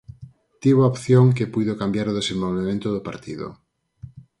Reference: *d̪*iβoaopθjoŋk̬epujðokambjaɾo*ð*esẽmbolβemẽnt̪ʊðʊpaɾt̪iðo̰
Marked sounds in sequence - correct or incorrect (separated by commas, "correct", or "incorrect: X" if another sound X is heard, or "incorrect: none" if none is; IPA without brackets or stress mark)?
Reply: incorrect: t̪, correct